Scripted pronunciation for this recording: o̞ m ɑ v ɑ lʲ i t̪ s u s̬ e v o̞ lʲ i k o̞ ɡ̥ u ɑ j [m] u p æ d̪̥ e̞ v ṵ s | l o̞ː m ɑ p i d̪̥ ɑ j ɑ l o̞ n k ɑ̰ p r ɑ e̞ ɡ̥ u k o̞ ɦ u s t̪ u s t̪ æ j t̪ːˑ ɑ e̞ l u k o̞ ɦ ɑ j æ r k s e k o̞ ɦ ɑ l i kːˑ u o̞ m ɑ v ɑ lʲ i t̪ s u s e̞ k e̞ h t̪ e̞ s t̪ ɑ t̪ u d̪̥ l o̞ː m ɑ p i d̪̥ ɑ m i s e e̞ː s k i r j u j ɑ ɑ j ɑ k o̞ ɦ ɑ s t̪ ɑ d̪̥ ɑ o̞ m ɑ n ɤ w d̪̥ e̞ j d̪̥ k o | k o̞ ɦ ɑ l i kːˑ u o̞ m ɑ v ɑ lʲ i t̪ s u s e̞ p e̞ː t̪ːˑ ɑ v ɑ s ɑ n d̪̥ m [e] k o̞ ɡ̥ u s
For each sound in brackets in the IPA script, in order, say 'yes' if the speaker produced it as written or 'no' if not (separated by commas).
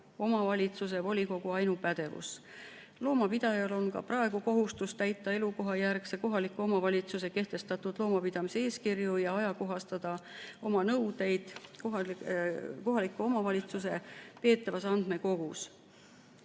no, yes